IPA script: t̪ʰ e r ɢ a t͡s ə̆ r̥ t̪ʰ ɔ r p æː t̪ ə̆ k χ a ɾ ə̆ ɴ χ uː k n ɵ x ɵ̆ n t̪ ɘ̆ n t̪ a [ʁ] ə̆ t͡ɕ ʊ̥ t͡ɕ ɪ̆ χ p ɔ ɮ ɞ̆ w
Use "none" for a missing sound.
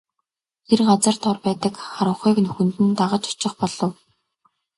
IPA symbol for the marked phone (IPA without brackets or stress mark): ʁ